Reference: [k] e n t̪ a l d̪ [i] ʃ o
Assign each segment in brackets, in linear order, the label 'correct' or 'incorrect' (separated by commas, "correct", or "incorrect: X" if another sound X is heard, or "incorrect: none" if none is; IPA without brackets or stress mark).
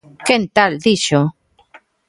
correct, correct